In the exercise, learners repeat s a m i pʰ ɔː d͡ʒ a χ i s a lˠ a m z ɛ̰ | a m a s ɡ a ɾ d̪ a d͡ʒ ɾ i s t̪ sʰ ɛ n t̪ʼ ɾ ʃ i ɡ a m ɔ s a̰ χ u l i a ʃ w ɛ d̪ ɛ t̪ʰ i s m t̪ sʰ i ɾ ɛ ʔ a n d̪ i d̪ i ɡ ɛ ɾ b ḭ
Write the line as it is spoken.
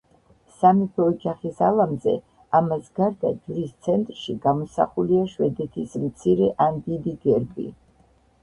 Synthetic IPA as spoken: s a m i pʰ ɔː d͡ʒ a χ i s a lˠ a m z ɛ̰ | a m a s ɡ a ɾ d̪ a d͡ʒ ɾ i s t̪ sʰ ɛ n t̪ʼ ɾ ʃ i ɡ a m ɔ s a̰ χ u l i a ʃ w ɛ d̪ ɛ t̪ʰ i s m t̪ sʰ i ɾ ɛ ʔ a n d̪ i d̪ i ɡ ɛ ɾ b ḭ